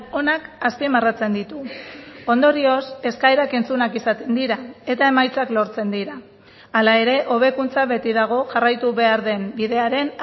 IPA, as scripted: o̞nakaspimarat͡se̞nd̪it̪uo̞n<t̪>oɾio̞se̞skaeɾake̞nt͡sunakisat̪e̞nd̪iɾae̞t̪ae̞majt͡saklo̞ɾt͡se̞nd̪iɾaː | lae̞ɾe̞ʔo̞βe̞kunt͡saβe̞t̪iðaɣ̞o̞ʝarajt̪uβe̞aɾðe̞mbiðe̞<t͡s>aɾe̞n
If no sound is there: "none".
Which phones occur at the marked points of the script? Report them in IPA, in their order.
d̪, none

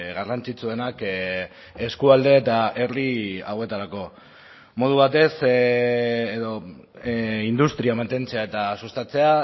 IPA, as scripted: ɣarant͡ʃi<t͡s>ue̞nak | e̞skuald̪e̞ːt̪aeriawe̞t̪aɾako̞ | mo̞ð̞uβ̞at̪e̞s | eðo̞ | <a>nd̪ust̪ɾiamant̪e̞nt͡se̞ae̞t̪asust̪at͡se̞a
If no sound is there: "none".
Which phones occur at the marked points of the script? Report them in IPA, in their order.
t͡s, i

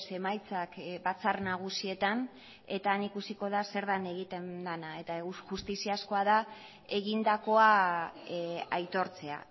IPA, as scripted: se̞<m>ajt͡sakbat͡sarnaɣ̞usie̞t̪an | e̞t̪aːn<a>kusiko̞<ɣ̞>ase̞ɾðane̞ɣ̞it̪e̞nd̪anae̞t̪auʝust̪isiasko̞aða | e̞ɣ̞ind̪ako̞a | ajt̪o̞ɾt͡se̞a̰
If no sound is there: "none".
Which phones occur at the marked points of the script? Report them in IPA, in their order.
m, i, ð̞

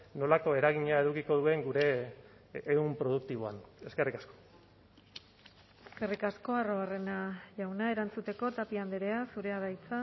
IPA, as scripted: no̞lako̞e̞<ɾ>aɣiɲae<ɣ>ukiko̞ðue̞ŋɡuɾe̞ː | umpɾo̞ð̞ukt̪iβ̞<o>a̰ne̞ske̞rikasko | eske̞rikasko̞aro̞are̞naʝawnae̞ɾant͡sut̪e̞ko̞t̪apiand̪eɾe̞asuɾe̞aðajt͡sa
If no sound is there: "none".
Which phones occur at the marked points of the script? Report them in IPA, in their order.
ɾ, ð, o

